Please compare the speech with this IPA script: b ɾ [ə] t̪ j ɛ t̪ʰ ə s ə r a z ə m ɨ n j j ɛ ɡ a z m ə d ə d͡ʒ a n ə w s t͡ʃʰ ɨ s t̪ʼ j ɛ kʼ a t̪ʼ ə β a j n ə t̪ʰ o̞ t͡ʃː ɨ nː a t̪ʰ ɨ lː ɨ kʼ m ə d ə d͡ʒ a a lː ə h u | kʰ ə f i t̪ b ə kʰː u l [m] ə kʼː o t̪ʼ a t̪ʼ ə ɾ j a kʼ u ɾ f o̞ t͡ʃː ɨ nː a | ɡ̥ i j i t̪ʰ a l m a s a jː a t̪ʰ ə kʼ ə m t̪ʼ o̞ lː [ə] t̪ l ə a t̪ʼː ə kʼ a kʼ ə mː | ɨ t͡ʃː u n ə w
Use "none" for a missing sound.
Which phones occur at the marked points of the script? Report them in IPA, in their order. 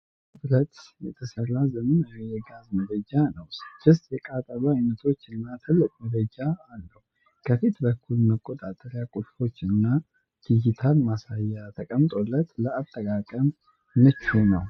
ə, m, ə

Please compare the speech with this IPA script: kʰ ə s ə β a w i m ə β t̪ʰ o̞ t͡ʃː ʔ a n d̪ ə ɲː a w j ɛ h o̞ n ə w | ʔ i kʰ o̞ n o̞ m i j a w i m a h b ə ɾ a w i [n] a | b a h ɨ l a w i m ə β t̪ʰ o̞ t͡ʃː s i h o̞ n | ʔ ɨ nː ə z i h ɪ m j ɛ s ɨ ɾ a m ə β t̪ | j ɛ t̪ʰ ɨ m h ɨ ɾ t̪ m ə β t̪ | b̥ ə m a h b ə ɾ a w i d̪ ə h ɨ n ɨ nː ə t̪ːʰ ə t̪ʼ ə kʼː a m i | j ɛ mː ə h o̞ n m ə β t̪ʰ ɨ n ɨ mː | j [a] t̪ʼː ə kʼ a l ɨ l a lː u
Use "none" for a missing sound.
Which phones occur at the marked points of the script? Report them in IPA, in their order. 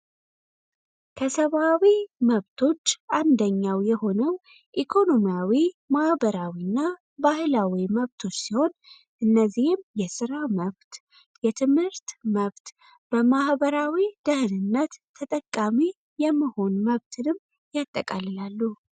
nː, a

